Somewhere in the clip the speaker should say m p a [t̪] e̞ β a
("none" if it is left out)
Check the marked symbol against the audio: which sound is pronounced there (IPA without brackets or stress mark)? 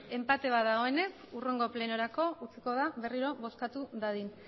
t̪